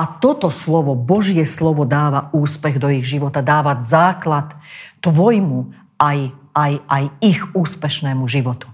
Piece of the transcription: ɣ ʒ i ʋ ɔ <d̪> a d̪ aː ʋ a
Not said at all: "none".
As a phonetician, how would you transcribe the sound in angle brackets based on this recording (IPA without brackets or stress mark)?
t̪